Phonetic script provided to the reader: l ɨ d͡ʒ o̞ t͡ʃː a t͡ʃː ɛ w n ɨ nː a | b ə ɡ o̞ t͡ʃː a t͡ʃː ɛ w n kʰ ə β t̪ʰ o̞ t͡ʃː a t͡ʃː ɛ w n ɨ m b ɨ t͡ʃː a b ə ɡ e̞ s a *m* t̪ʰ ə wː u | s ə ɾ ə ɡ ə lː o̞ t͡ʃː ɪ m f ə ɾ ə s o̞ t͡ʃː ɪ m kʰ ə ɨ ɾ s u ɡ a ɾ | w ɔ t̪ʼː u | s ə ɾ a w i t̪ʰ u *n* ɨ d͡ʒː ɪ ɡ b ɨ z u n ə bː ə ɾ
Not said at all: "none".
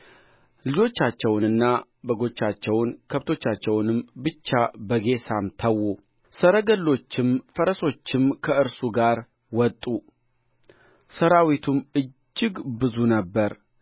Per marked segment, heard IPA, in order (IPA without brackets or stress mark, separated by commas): m, m